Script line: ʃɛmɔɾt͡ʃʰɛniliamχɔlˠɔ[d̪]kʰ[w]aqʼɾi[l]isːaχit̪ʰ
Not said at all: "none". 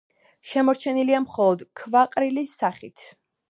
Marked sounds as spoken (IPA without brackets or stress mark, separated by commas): d̪, v, l